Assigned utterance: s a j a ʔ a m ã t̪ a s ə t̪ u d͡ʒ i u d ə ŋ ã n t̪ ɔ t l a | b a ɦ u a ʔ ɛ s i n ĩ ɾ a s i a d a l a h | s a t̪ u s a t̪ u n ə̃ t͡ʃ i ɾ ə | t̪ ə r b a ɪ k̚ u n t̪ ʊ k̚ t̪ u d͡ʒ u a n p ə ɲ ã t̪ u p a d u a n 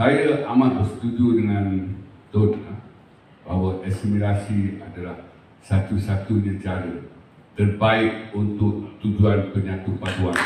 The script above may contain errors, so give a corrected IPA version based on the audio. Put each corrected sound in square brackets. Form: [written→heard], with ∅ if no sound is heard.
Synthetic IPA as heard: s a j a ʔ a m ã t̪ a s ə t̪ u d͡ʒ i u d ə ŋ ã n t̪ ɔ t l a | b a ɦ [u→w] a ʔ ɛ s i [n→m] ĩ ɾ a s i a d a l a h | s a t̪ u s a t̪ u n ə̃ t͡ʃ [i→a] ɾ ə | t̪ ə r b a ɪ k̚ u n t̪ ʊ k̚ t̪ u d͡ʒ u a n p ə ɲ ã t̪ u p a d u a n